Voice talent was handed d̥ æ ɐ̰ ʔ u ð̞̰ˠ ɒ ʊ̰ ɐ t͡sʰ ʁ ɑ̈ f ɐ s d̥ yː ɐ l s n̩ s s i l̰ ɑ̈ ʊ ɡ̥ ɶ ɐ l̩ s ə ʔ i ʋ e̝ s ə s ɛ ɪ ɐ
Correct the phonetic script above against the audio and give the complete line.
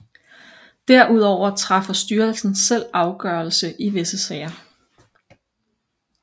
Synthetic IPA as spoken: d̥ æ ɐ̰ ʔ u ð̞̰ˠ ɒ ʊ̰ ɐ t͡sʰ ʁ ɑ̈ f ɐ s d̥ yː ɐ l s n̩ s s e l̰ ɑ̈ ʊ ɡ̥ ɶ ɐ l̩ s ə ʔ i ʋ e̝ s ə s ɛ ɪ ɐ